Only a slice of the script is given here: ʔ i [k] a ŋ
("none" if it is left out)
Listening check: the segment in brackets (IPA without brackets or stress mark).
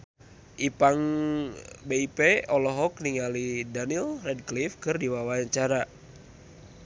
p